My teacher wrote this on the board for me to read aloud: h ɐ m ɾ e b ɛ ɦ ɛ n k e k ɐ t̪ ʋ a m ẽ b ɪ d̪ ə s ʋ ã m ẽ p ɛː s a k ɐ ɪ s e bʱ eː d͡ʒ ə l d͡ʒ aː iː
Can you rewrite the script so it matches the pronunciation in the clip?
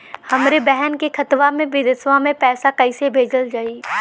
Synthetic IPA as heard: h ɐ m ɾ e b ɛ ɦ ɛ n k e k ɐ t̪ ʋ a m ẽ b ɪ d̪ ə s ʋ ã m ẽ p ɛː s a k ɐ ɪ s e bʱ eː d͡ʒ ə l d͡ʒ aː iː